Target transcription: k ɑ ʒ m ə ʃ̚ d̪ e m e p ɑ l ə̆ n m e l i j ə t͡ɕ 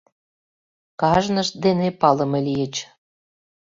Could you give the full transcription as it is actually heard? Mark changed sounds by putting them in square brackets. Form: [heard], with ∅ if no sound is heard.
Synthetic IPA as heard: k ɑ ʒ [n] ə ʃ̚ d̪ e [n] e p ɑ l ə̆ [∅] m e l i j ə t͡ɕ